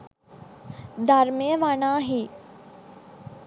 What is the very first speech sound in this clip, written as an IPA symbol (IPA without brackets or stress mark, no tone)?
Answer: d̪